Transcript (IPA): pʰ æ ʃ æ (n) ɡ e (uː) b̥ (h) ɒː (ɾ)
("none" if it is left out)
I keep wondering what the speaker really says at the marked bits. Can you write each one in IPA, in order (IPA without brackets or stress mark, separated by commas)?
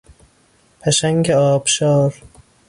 ŋ, ɒː, ʃ, ɾ